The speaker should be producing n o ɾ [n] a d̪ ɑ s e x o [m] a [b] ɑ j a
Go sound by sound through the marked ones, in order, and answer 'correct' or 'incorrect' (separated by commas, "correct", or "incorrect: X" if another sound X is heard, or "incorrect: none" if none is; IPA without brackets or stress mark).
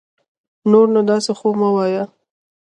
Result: correct, correct, incorrect: w